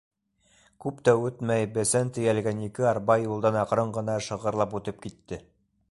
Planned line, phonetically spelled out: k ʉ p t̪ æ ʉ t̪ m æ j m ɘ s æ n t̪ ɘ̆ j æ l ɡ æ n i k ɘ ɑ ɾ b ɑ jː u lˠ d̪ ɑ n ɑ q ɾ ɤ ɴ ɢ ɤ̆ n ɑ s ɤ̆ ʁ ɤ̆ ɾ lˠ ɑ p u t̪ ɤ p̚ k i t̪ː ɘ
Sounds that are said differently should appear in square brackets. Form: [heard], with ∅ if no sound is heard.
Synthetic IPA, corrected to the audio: k ʉ p t̪ æ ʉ t̪ m æ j [b] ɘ s æ n t̪ ɘ̆ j æ l ɡ æ n i k ɘ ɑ ɾ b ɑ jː u lˠ d̪ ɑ n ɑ q ɾ ɤ ɴ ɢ ɤ̆ n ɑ [ʃ] ɤ̆ ʁ ɤ̆ ɾ lˠ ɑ p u t̪ ɤ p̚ k i t̪ː ɘ